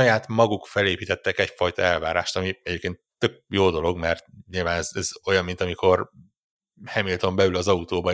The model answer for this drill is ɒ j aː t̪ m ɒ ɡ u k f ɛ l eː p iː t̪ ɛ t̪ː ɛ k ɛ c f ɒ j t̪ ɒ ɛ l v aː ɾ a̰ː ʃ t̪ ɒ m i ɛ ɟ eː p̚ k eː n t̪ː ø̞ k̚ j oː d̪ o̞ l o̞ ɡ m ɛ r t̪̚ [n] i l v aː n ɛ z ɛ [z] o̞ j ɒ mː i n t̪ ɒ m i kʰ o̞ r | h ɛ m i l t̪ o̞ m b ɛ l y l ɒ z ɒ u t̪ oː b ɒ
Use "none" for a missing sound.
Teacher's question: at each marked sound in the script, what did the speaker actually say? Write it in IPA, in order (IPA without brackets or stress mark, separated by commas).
ɲ, z